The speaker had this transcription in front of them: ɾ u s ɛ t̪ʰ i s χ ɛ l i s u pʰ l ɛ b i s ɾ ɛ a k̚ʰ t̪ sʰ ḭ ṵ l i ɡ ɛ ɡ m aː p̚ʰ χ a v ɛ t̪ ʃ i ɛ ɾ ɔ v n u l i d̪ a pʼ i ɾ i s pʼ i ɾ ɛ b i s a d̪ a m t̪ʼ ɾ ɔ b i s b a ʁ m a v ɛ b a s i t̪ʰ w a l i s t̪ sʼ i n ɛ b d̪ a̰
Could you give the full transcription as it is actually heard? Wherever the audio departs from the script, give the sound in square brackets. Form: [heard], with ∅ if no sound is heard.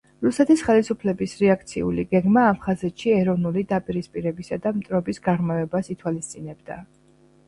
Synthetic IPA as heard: ɾ u s ɛ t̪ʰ i s χ ɛ l i s u pʰ l ɛ b i s ɾ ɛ a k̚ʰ t̪ sʰ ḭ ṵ l i ɡ ɛ ɡ m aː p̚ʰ χ a [z] ɛ t̪ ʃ i ɛ ɾ ɔ v n u l i d̪ a pʼ i ɾ i s pʼ i ɾ ɛ b i s a d̪ a m t̪ʼ ɾ ɔ b i s [ɡ] a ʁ m a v ɛ b a s i t̪ʰ w a l i s t̪ sʼ i n ɛ b d̪ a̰